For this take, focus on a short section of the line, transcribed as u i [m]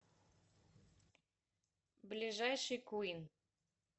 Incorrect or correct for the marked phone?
incorrect: n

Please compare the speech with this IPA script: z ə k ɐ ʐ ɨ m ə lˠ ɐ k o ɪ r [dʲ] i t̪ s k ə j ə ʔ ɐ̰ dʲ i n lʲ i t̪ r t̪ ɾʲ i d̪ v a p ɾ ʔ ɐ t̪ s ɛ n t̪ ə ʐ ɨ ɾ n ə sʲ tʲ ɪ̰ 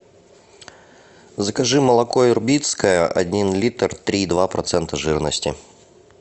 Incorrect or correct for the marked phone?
incorrect: bʲ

